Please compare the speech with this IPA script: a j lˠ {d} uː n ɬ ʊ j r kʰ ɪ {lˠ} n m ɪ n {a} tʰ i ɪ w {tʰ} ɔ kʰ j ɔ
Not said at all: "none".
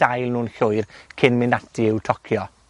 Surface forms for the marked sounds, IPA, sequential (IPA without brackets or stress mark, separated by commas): n, none, a, tʰ